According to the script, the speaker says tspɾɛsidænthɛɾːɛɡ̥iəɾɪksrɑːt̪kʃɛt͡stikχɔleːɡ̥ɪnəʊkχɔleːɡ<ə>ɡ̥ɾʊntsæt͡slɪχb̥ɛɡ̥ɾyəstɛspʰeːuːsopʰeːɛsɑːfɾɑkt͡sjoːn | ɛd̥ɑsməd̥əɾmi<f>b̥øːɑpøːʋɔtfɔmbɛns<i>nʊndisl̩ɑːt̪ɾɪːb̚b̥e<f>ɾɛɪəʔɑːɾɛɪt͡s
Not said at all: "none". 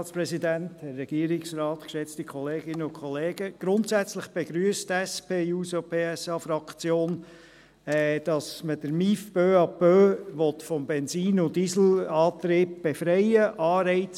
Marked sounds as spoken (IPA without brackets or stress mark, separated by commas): ə, f, iː, f